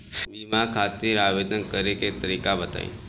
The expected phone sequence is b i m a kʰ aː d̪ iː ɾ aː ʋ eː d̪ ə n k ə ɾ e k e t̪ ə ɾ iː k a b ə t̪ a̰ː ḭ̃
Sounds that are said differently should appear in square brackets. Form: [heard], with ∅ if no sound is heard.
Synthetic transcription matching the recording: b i m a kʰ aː [t̪] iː ɾ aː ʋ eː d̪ ə n k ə ɾ e k e t̪ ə ɾ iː k a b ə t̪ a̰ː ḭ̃